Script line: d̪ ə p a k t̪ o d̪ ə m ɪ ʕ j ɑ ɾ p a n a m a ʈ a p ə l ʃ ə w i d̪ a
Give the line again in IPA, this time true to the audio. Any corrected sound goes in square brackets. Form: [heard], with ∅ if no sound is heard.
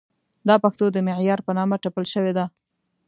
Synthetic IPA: d̪ [ɑ] p a [x] t̪ o d̪ ə m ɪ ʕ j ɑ ɾ p [ə] n [ɑ] m a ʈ a p ə l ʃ ə w [e] d̪ a

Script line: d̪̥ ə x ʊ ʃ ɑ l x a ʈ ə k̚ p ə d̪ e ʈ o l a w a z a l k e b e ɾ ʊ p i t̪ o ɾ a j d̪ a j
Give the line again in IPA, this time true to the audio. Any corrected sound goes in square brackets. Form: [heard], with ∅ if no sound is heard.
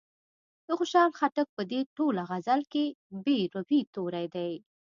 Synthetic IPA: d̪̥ ə x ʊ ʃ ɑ l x a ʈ ə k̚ p ə d̪ e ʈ o l a [ɣ] a z a l k e b e ɾ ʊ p i t̪ o ɾ a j d̪ a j

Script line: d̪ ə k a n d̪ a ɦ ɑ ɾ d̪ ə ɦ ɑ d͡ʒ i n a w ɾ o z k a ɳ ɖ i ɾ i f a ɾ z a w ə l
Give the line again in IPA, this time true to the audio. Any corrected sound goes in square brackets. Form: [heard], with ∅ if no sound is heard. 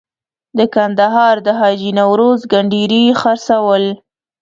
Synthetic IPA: d̪ ə k a n d̪ a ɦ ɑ ɾ d̪ ə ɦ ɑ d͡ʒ i n a w ɾ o z [ɡ] a ɳ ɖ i ɾ i [x] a ɾ [s] a w ə l

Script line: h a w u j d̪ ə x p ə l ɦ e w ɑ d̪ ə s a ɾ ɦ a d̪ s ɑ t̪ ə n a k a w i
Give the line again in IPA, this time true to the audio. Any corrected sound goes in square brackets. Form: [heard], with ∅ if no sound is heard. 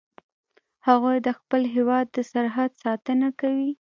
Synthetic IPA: h a [ɣ] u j d̪ ə x p ə l ɦ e w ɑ [d̪ː] ə s a ɾ ɦ a d̪ s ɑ t̪ ə n a k a w i

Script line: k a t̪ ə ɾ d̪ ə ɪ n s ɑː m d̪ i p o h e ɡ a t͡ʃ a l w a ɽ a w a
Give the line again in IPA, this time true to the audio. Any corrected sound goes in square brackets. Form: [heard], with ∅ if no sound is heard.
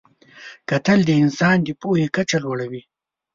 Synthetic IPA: k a t̪ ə [l] d̪ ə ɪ n s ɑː [n] d̪ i p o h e [k] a t͡ʃ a l w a ɽ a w [i]

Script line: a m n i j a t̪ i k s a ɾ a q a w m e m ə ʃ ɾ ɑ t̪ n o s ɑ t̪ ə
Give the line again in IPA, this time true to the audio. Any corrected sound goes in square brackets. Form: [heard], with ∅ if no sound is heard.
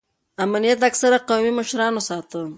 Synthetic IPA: a m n i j a t̪ [a] k s a ɾ a q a w m [i] m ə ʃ ɾ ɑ [∅] n o s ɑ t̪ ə

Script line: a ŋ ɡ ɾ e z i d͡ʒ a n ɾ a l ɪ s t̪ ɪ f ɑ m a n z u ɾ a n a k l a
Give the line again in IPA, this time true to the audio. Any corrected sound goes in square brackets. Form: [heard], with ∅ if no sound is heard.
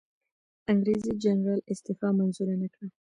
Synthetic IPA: a ŋ ɡ ɾ e z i d͡ʒ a n ɾ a l ɪ s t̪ ɪ f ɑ m a n z u ɾ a n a k [ɽ] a

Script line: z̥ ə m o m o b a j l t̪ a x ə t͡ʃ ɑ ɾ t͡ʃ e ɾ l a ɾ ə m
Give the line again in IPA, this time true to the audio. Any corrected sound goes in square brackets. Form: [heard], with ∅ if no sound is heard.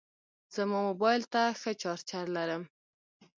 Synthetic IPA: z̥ ə m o m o b [ɑ] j l t̪ a x ə t͡ʃ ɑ ɾ t͡ʃ [a] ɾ l a ɾ ə m

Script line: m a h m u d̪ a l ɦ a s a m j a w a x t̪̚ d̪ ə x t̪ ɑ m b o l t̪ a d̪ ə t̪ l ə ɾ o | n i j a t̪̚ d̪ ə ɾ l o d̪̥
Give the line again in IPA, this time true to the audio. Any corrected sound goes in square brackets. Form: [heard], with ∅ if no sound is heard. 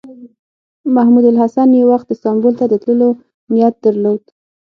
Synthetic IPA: m a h m u d̪ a l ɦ a s a [n] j [e] w a x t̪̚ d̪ ə [s] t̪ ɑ m b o l t̪ a d̪ ə t̪ l ə [l] o | n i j a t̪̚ d̪ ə ɾ l o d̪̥

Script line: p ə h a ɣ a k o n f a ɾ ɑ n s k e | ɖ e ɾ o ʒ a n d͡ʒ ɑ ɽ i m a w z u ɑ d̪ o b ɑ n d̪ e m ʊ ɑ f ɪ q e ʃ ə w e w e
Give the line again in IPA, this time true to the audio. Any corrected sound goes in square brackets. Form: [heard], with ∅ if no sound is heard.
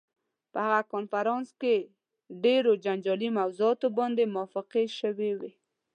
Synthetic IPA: p ə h a ɣ a k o n f a ɾ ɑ n s k e | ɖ e ɾ o [d͡ʒ] a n d͡ʒ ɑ [l] i m a w z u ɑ [t̪] o b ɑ n d̪ e m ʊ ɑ f ɪ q e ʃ ə w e w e

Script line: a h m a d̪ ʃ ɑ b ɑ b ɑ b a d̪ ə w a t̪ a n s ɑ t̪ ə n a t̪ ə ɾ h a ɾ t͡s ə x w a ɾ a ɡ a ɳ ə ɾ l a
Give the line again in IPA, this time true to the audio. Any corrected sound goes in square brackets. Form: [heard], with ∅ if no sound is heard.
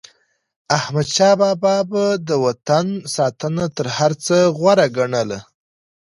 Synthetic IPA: a h m a d̪ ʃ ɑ b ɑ b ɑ b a d̪ ə w a t̪ a n s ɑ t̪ ə n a t̪ ə ɾ h a ɾ t͡s ə [ɣ] w a ɾ a ɡ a ɳ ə [∅] l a

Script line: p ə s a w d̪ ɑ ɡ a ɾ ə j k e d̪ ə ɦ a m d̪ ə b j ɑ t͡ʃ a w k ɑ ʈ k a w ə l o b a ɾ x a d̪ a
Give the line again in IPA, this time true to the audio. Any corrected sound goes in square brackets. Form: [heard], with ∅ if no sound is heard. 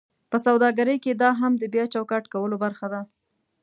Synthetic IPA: p ə s a w d̪ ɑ ɡ a ɾ ə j k e d̪ [ɑ] ɦ a m d̪ ə b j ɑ t͡ʃ a w k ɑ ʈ k a w ə l o b a ɾ x a d̪ a

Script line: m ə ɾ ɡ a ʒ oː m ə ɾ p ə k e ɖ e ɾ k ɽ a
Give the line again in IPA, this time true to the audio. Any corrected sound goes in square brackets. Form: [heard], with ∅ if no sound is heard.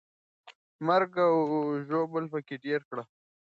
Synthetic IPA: m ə ɾ ɡ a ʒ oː [b] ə [l] p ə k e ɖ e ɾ k ɽ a

